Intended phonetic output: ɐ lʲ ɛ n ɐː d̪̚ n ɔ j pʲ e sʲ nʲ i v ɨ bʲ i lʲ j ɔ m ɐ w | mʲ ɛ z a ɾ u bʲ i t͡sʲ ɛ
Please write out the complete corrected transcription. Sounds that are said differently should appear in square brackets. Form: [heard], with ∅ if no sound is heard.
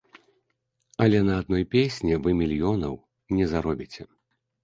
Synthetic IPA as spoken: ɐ lʲ ɛ n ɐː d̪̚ n ɔ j pʲ e sʲ nʲ i v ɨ [mʲ] i lʲ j ɔ [n] ɐ w | [nʲ] ɛ z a ɾ [ɔ] bʲ i t͡sʲ ɛ